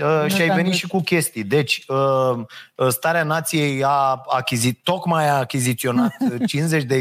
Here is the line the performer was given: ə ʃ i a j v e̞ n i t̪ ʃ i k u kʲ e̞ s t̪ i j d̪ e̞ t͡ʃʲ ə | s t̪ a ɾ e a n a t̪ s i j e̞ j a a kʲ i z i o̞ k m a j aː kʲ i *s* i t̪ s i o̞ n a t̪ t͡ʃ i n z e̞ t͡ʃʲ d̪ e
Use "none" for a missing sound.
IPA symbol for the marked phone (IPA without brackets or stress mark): z